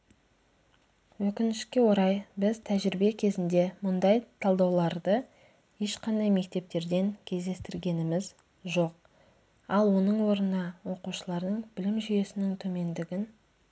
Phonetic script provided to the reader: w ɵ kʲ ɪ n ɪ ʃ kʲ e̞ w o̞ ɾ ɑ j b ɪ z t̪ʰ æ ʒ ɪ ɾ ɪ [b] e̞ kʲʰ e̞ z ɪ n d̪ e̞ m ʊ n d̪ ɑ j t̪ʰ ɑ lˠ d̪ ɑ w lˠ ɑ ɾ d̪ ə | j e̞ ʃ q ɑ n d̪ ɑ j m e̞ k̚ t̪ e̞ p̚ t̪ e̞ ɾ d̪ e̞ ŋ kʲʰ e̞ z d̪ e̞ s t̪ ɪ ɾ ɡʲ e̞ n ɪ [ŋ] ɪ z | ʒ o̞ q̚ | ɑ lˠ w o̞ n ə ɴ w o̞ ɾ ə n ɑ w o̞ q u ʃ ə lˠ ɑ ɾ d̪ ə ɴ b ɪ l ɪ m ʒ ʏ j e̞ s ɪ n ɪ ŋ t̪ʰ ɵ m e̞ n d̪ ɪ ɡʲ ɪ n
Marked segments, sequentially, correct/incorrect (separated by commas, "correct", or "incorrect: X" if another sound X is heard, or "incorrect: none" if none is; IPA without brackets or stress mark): correct, incorrect: m